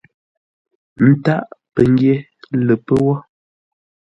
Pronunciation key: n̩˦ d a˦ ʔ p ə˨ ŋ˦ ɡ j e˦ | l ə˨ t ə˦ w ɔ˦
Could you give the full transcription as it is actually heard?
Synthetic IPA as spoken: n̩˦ t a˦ ʔ p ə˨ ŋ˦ ɡ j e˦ | l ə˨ p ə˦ w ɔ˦